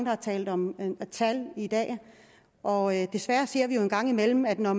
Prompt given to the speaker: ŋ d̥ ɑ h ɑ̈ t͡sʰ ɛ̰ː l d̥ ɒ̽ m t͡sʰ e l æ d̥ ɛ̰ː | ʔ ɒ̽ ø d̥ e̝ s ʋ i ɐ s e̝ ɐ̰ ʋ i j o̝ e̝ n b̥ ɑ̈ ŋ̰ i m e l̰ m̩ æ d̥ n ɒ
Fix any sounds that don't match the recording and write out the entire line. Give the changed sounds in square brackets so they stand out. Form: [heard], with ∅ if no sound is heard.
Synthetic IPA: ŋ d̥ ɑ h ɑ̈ t͡sʰ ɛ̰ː l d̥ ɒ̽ m t͡sʰ [æ] l [i] d̥ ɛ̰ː | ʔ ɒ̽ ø d̥ e̝ s ʋ [æ] ɐ s e̝ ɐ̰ ʋ i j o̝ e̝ n [ɡ̥] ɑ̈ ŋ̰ i m e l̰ m̩ æ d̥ n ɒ